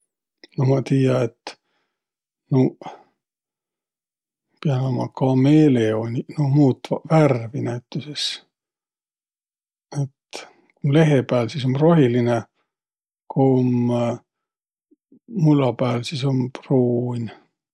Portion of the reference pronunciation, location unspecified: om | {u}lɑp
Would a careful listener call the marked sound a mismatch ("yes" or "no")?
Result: no